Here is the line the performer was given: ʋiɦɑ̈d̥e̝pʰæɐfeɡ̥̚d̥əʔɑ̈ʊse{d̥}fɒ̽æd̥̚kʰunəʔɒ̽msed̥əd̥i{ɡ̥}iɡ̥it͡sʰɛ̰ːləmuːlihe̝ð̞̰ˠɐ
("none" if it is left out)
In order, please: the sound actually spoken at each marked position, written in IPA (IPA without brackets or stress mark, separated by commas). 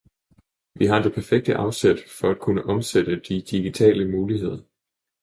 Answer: d̥, d̥